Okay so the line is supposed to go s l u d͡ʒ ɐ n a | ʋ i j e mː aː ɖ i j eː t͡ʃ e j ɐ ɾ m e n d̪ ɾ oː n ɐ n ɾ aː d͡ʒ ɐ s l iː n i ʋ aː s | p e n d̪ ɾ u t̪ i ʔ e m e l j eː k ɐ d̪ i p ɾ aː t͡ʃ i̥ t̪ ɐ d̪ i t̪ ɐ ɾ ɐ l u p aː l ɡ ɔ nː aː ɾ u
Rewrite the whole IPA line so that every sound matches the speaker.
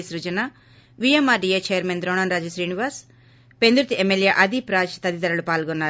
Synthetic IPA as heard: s ɾ u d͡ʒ ɐ n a | ʋ i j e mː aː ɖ i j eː t͡ʃ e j ɐ ɾ m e n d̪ ɾ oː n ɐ n ɾ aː d͡ʒ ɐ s ɾ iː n i ʋ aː s | p e n d̪ ɾ u t̪ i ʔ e m e l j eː ʔ ɐ d̪ i p ɾ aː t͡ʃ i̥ t̪ ɐ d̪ i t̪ ɐ ɾ ɐ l u p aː l ɡ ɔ nː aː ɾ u